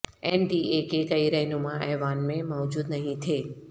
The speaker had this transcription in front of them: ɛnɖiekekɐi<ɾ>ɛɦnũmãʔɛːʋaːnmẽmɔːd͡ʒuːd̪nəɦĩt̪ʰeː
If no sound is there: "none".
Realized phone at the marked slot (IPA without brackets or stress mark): ɾ